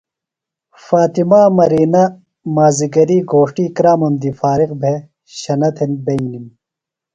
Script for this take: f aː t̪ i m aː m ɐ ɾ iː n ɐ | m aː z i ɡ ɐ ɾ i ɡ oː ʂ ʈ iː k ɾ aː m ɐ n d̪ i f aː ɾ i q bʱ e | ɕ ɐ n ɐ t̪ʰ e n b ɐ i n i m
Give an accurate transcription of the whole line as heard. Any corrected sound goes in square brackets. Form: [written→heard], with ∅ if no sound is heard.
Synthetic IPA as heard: f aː t̪ i m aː m ɐ ɾ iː n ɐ | m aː z i ɡ ɐ ɾ i ɡ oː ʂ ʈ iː k ɾ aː m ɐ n d̪ i f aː ɾ i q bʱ e | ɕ ɐ n ɐ t̪ʰ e n b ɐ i n i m